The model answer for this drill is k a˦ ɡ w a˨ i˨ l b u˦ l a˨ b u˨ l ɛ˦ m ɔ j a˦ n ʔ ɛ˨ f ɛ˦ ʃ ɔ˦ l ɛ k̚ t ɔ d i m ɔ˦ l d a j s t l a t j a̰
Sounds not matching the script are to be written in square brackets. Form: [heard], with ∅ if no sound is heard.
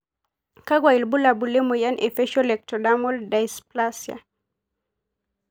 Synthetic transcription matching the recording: k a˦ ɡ w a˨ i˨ l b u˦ l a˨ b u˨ l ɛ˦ m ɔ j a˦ n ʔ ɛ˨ f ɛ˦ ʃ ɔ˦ l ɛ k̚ t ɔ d [a] m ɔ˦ l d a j s [p] l a [s] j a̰